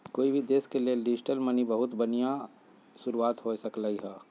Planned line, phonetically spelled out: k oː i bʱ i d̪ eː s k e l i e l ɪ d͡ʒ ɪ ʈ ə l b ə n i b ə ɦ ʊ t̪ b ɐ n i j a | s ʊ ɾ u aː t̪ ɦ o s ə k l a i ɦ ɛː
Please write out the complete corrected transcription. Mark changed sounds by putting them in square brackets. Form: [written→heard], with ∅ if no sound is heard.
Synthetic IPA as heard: k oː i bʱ i d̪ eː s k e l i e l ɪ d͡ʒ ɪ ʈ ə l [b→m] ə n i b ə ɦ ʊ t̪ b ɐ n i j a | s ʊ ɾ u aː t̪ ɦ o s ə k l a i ɦ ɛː